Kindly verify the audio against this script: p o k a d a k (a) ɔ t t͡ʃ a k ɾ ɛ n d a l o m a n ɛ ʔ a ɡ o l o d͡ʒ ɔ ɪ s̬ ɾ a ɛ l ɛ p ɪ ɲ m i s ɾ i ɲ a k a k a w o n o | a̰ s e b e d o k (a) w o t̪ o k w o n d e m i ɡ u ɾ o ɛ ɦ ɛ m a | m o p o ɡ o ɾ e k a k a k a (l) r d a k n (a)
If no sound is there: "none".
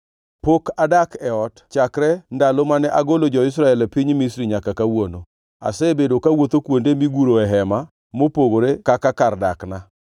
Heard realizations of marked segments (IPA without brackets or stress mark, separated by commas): ɛ, a, none, a